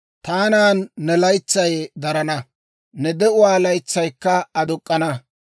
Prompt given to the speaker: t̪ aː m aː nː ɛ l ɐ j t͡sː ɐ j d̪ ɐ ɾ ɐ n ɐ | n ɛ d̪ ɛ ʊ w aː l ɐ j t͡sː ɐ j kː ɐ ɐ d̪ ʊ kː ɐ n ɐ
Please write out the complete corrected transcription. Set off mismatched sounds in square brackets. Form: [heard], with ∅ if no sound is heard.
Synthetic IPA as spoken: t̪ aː [n] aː nː ɛ l ɐ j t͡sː ɐ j d̪ ɐ ɾ ɐ n ɐ | n ɛ d̪ ɛ ʊ w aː l ɐ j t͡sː ɐ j kː ɐ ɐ d̪ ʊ [kʼː] ɐ n ɐ

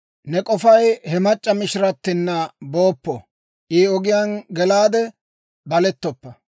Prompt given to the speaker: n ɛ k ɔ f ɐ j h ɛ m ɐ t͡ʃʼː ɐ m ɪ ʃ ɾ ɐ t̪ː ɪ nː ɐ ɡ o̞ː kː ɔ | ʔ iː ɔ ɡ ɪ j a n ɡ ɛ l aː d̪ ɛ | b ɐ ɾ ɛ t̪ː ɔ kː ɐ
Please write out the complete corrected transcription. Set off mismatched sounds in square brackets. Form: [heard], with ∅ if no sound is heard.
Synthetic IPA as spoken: n ɛ [kʼ] ɔ f ɐ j h ɛ m ɐ t͡ʃʼː ɐ m ɪ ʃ ɾ ɐ t̪ː ɪ nː ɐ [b] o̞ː [pː] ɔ | ʔ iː ɔ ɡ ɪ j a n ɡ ɛ l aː d̪ ɛ | b ɐ [l] ɛ t̪ː ɔ [pː] ɐ

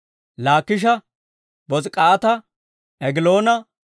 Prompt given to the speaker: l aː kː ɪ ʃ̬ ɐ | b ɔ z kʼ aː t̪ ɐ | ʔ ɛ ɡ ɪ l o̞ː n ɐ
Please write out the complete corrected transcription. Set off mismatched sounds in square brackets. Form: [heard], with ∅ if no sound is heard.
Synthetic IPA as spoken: l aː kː ɪ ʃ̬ ɐ | b ɔ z kʼ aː t̪ ɐ | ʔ ɛ ɡ ɪ l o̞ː n ɐ

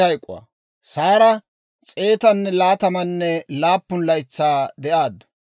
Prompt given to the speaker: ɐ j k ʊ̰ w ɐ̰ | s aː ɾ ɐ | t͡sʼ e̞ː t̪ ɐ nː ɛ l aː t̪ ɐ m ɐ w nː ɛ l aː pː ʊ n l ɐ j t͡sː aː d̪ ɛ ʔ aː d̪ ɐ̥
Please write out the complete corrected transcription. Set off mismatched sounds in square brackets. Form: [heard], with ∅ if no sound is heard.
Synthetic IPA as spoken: ɐ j [kʼ] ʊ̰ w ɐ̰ | s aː ɾ ɐ | t͡sʼ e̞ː t̪ ɐ nː ɛ l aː t̪ ɐ m ɐ [∅] nː ɛ l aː pː ʊ n l ɐ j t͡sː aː d̪ ɛ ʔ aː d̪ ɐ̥

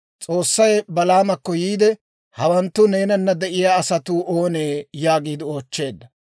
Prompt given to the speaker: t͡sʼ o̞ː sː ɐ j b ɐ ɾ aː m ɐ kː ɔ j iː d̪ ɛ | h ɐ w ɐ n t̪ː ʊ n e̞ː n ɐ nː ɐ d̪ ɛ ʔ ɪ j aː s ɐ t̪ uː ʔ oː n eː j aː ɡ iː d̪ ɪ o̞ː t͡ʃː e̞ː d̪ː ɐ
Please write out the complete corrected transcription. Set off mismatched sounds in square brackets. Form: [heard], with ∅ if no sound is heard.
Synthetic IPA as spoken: t͡sʼ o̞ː sː ɐ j b ɐ [l] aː m ɐ kː ɔ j iː d̪ ɛ | h ɐ w ɐ n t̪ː ʊ n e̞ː n ɐ nː ɐ d̪ ɛ ʔ ɪ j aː s ɐ t̪ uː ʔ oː n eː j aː ɡ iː d̪ ɪ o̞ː t͡ʃː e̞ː d̪ː ɐ

